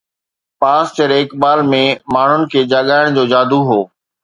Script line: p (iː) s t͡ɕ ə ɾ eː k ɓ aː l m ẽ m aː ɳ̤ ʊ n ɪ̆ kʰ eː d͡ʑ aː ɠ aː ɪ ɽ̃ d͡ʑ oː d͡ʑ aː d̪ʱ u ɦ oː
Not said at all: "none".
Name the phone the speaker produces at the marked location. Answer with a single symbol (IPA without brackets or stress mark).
aː